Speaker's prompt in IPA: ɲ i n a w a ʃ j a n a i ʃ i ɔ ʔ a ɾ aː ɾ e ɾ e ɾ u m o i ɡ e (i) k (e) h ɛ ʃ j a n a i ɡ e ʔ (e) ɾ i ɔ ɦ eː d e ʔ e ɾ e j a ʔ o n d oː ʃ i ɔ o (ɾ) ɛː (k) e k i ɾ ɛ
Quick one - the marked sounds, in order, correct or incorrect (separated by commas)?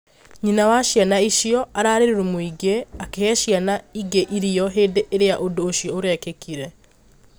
incorrect, correct, incorrect, correct, correct